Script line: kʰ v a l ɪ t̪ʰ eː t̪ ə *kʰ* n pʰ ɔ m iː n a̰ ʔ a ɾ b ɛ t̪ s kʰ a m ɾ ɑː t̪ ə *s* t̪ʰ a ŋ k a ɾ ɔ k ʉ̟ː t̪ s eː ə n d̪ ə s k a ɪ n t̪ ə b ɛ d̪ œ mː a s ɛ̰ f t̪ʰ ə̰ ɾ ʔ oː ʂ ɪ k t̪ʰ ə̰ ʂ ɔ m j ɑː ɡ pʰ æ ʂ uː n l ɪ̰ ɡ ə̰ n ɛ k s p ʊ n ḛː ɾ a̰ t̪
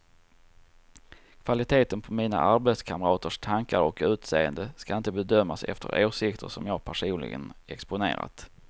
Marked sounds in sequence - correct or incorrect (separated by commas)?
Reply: incorrect, incorrect